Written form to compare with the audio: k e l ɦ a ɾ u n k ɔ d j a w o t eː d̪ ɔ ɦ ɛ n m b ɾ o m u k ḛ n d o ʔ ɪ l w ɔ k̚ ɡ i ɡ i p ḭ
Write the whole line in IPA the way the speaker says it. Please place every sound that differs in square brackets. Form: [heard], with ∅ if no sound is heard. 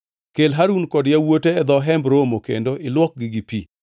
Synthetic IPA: k e l ɦ a ɾ u n k ɔ d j a w o t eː d̪ ɔ ɦ ɛ [∅] m b ɾ o m [o] k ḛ n d o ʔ ɪ l w ɔ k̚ ɡ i ɡ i p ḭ

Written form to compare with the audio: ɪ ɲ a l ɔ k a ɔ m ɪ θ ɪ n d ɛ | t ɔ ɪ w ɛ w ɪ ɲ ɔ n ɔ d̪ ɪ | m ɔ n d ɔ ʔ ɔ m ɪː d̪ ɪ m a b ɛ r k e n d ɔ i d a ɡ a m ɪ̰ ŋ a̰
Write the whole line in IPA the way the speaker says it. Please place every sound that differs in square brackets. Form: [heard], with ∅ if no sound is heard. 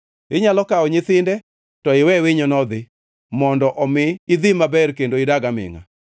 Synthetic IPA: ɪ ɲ a l ɔ k a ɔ [ɲ] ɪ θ ɪ n d ɛ | t ɔ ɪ w ɛ w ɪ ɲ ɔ n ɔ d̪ ɪ | m ɔ n d ɔ ʔ ɔ m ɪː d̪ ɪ m a b ɛ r k e n d [o] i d a ɡ a m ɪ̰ ŋ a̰

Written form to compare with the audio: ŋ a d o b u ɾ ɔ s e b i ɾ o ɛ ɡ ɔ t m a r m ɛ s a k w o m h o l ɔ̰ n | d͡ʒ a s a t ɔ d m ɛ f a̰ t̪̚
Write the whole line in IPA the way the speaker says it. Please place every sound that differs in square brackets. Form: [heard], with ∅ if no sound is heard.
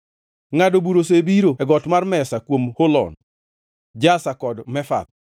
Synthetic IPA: ŋ a d o b u ɾ [o] s e b i ɾ o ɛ ɡ ɔ t m a r m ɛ s a k w o m h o l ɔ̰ n | d͡ʒ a s a [k] ɔ d m ɛ f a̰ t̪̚

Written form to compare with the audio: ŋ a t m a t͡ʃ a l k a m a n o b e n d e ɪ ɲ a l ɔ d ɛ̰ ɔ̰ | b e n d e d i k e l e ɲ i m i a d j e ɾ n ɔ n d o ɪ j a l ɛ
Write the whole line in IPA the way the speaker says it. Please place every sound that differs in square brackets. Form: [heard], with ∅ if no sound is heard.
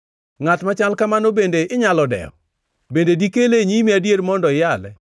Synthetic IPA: ŋ a t m a t͡ʃ a l k a m a n o b e n d e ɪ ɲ a l ɔ d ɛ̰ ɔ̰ | b e n d e d i k e l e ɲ i m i a d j e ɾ [m] ɔ n d [ɔ] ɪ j a l ɛ

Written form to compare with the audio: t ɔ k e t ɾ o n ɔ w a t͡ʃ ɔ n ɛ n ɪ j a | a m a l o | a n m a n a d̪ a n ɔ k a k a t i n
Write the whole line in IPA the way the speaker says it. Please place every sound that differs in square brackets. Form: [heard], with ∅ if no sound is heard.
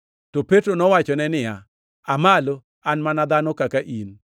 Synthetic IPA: t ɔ [p] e t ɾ o n ɔ w a t͡ʃ ɔ n ɛ n ɪ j a | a m a l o | a n m a n a d̪ a n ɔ k a k a [ʔ] i n

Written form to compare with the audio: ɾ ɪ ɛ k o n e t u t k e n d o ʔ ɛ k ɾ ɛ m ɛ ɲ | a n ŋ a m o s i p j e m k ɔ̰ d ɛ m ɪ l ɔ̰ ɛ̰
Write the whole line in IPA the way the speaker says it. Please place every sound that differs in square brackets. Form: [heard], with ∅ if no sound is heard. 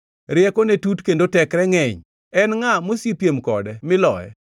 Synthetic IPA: ɾ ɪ ɛ k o n e t u t k e n d o [t] ɛ k ɾ ɛ [ŋ] ɛ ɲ | [ɛ] n ŋ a m o s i p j e m k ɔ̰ d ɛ m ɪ l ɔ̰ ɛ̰

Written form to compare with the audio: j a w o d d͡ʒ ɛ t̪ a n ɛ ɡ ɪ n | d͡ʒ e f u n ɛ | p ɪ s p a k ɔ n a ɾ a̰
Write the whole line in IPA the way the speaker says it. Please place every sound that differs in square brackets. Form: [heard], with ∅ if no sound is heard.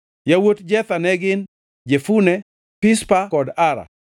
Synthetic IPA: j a w o [t] d͡ʒ ɛ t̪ a n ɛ ɡ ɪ n | d͡ʒ e f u n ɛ | p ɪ s p a k ɔ [d] a ɾ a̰

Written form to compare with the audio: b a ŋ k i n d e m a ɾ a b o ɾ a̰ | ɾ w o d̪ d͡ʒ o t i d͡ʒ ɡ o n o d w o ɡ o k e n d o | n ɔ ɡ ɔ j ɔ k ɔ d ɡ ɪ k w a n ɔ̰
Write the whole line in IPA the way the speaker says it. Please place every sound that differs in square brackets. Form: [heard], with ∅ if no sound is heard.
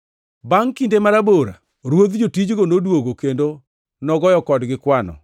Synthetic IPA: b a ŋ k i n d e m a ɾ a b o ɾ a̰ | ɾ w o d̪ d͡ʒ o t i d͡ʒ ɡ o n o d w o ɡ o k e n d o | n ɔ ɡ ɔ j ɔ k ɔ d ɡ ɪ k w a n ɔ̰

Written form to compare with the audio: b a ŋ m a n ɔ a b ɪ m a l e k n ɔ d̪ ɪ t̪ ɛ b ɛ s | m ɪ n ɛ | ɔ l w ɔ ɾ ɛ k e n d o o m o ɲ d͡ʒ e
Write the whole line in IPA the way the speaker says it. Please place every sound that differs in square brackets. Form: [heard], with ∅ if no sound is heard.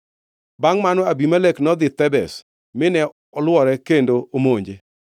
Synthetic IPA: b a ŋ m a n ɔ a b [i] m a l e k n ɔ d̪ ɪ t̪ ɛ b ɛ s | m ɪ n ɛ | ɔ l w ɔ ɾ ɛ k e n d o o m o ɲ d͡ʒ e

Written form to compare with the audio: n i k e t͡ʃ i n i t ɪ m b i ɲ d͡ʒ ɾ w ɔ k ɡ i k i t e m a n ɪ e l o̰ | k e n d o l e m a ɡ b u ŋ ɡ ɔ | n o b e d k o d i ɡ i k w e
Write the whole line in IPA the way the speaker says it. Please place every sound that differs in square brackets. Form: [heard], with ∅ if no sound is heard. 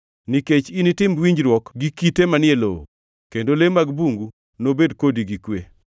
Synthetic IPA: n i k e t͡ʃ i n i t ɪ m [w] i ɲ d͡ʒ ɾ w ɔ k ɡ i k i t e m a n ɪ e l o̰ | k e n d o l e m a ɡ b u ŋ ɡ [u] | n o b e d k o d i ɡ i k w e

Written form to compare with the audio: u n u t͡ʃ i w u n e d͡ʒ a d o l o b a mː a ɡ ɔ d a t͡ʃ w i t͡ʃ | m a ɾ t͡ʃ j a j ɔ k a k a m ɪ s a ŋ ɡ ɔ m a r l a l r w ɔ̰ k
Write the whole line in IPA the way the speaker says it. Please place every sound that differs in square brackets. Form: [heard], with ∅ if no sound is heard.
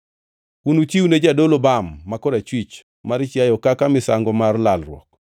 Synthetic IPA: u n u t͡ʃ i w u n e d͡ʒ a d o l o b a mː a [k] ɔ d a t͡ʃ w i t͡ʃ | m a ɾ t͡ʃ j a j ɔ k a k a m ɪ s a ŋ ɡ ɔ m a r l a l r w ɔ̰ k

